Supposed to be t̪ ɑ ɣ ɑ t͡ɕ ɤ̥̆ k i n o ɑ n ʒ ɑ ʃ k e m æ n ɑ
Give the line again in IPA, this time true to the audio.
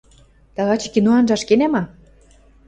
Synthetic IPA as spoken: t̪ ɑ ɣ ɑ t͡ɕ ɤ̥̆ k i n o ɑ n ʒ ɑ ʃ k e n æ m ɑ

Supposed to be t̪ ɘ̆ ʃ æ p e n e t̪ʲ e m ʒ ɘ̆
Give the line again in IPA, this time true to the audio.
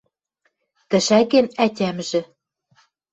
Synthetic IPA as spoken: t̪ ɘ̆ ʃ æ k e n æ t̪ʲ æ m ʒ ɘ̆

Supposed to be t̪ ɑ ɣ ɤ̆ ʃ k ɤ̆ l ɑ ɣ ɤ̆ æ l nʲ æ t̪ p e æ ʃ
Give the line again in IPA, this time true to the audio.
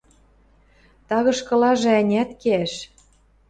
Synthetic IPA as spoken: t̪ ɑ ɣ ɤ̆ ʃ k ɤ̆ l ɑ ʒ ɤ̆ æ nʲ æ t̪ k e æ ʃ

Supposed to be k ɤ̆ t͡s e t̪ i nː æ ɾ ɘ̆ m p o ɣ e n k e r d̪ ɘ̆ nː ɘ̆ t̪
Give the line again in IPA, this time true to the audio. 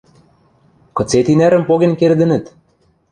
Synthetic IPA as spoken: k ɤ̆ t͡s e t̪ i n æ ɾ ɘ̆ m p o ɣ e n k e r d̪ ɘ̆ n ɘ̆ t̪

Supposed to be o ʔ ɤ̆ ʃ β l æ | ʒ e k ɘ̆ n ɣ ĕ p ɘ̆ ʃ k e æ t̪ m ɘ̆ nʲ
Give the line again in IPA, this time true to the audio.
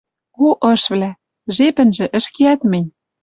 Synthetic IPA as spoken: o ʔ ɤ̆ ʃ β l æ | ʒ e p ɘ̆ n ʒ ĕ ʔ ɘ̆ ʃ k e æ t̪ m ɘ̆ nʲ

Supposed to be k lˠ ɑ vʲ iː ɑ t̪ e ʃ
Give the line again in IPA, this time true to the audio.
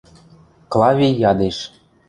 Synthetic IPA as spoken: k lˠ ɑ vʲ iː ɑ d̪ e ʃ

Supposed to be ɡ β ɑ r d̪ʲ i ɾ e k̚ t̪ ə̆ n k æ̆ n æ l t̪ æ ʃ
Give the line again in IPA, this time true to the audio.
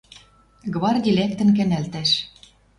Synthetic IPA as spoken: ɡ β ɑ r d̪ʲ i l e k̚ t̪ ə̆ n k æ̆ n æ l t̪ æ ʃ

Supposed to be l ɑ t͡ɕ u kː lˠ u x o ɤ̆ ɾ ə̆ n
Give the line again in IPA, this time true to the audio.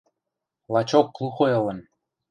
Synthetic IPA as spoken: l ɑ t͡ɕ o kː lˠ u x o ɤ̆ l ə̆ n

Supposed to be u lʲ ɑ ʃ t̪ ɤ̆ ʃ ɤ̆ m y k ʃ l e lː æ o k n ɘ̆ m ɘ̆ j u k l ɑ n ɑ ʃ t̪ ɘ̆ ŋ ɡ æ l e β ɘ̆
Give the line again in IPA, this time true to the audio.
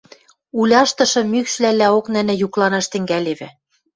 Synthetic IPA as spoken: u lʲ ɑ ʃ t̪ ɤ̆ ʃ ɤ̆ m y k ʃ l æ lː æ o k n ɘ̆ n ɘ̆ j u k l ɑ n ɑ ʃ t̪ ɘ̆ ŋ ɡ æ l e β ɘ̆

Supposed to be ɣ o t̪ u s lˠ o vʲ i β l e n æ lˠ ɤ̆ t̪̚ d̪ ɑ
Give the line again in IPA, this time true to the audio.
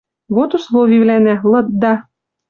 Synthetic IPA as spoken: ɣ o t̪ u s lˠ o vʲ i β l æ n æ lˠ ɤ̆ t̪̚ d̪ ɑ

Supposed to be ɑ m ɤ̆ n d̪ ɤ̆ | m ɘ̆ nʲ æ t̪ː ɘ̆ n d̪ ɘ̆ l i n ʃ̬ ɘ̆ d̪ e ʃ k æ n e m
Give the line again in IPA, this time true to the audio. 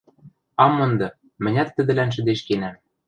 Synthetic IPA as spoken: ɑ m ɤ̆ n d̪ ɤ̆ | m ɘ̆ nʲ æ t̪ː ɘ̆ d̪ ɘ̆ l æ n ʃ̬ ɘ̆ d̪ e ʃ k e n æ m

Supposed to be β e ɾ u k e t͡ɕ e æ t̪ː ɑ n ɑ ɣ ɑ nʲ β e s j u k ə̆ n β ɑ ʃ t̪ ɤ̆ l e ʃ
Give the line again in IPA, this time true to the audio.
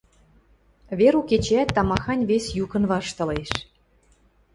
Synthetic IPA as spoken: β e ɾ u k e t͡ɕ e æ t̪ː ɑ m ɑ x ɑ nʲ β e s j u k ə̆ n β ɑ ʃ t̪ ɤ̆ l e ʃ

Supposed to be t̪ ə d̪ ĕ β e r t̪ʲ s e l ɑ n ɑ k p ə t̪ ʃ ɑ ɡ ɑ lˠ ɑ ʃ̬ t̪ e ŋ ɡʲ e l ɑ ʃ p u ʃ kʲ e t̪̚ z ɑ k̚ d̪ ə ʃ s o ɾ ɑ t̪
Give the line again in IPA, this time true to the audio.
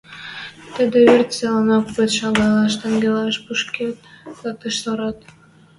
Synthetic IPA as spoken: t̪ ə d̪ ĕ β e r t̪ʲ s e l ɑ n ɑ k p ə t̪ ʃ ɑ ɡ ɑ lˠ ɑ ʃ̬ t̪ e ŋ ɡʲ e l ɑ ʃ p u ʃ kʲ e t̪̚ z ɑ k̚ t̪ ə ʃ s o ɾ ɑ t̪

